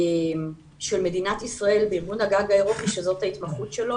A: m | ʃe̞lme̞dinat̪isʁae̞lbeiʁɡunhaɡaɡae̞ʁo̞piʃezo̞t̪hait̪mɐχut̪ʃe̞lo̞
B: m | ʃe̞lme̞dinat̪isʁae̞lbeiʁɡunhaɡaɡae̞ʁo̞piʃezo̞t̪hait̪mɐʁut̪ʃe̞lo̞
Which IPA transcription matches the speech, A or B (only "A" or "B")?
A